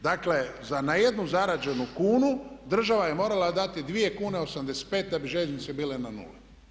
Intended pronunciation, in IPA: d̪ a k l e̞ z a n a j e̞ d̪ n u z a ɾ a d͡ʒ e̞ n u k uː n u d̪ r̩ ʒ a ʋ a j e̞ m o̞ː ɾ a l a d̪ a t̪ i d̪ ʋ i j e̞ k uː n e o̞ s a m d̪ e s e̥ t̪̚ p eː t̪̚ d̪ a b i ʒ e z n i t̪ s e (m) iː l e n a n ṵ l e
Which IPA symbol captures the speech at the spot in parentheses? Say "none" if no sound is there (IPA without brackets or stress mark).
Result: b